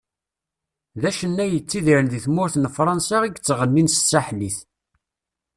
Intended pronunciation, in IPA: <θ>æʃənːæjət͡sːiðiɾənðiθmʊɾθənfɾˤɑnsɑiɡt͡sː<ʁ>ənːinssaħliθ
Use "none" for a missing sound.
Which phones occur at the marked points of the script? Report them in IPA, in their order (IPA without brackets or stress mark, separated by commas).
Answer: ð, ʁ